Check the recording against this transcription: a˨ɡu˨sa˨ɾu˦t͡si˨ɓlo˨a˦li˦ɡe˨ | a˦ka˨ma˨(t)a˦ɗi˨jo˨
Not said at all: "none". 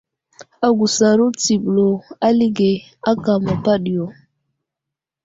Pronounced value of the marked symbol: p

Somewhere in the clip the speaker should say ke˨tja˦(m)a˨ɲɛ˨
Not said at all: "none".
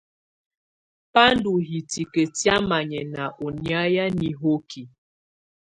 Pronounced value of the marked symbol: m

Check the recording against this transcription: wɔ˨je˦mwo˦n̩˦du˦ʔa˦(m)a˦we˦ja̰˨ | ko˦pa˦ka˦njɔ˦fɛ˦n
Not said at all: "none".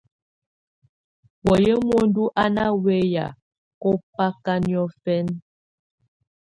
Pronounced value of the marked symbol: n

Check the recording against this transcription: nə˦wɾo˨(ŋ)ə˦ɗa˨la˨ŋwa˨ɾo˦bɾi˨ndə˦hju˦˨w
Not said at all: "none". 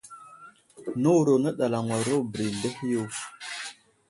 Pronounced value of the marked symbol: n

